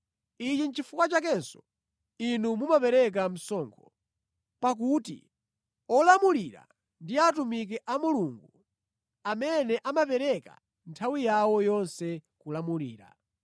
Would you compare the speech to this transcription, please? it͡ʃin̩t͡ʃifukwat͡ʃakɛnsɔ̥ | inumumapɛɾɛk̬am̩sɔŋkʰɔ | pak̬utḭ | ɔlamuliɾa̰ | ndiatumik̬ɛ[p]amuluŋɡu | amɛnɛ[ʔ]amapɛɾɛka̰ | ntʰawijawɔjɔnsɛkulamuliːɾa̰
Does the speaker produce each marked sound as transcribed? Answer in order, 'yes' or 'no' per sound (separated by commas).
no, yes